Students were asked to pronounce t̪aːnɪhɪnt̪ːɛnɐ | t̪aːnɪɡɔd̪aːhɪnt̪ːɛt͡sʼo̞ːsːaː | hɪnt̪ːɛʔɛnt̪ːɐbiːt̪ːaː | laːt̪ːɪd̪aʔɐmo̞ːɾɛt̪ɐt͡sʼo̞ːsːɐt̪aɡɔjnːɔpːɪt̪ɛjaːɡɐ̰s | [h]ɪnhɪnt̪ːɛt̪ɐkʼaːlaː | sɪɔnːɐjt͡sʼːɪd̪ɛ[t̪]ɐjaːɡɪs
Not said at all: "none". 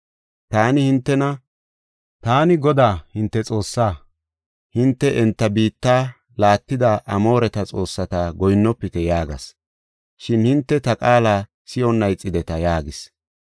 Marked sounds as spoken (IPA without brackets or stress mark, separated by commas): ʃ, t̪